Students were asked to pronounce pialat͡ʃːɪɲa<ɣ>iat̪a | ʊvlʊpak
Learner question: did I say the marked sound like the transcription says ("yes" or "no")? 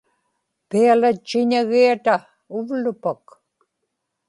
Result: yes